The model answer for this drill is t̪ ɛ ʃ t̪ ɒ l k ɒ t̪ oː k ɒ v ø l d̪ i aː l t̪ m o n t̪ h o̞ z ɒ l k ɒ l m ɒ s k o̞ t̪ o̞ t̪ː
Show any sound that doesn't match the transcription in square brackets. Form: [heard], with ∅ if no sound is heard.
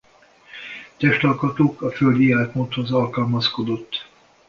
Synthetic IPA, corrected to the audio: t̪ ɛ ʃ t̪ ɒ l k ɒ t̪ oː k ɒ [f] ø l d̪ i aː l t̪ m o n t̪ h o̞ z ɒ l k ɒ l m ɒ s k o̞ [d̪] o̞ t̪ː